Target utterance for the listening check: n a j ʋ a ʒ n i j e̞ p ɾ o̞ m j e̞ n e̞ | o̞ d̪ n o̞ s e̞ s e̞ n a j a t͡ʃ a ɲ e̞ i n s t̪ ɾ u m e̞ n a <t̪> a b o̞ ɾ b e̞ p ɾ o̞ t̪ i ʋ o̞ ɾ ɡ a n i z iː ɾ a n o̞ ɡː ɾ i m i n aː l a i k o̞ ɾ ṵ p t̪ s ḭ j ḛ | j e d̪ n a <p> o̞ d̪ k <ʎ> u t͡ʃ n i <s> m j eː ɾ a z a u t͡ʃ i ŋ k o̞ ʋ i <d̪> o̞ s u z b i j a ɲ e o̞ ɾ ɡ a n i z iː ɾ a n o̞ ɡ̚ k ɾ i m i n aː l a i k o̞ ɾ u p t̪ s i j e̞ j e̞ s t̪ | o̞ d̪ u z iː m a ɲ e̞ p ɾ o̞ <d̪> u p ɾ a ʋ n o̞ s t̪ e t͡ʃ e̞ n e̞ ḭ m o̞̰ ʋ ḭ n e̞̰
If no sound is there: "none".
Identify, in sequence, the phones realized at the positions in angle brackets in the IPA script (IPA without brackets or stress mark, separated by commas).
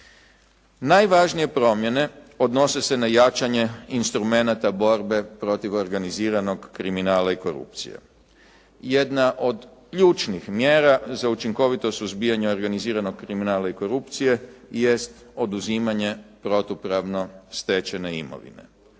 t̪, ʔ, ʎ, x, t̪, t̪